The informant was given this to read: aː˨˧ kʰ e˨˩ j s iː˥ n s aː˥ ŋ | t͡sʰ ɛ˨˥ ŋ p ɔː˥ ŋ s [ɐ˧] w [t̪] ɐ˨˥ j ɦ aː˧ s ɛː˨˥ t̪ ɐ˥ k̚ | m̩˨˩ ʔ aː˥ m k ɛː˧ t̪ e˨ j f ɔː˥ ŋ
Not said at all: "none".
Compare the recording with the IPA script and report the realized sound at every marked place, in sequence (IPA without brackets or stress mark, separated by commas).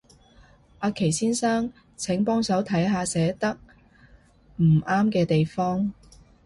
ɐ˨˥, t̪ʰ